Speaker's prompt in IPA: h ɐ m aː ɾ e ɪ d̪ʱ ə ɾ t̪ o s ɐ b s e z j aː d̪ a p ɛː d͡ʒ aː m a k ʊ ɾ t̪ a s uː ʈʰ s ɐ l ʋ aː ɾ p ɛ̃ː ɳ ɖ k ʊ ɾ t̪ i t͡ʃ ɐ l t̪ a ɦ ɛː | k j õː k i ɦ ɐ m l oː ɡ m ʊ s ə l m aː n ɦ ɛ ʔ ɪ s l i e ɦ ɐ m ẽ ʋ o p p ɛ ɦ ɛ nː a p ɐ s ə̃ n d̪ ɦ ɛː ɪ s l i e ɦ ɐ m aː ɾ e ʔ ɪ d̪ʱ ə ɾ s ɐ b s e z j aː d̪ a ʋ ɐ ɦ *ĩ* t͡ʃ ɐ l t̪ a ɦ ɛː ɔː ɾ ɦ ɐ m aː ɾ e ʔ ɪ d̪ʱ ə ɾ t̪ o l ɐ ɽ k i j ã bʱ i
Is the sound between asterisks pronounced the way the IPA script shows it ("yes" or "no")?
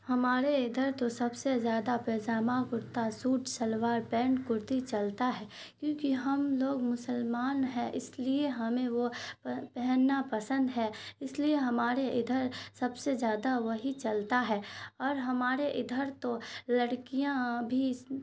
no